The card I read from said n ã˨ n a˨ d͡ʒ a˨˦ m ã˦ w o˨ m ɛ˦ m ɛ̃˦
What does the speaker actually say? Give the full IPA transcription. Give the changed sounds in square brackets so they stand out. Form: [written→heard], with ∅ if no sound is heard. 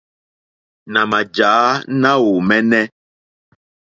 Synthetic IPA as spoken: n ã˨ [n→m] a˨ d͡ʒ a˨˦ [m→n] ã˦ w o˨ m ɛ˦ [m→n] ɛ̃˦